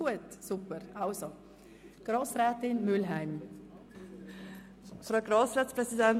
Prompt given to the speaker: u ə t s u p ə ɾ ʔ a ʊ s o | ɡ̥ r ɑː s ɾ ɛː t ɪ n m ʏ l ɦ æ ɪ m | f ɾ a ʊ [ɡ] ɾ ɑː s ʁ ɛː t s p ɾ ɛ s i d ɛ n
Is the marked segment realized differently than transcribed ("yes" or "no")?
no